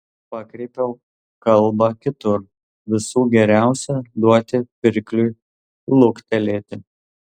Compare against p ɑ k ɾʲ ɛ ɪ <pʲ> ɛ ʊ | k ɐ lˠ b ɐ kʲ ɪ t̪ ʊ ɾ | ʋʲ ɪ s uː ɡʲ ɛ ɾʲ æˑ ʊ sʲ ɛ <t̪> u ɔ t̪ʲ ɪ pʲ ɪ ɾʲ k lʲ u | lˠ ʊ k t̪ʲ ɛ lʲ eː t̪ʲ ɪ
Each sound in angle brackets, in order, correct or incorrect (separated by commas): correct, incorrect